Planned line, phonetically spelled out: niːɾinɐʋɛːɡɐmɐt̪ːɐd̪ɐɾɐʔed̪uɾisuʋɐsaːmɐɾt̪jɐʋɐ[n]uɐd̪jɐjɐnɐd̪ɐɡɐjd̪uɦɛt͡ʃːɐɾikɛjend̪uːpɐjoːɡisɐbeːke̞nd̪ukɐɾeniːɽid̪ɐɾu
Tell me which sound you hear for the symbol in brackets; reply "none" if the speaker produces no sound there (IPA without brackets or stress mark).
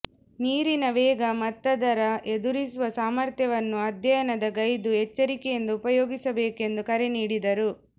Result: nː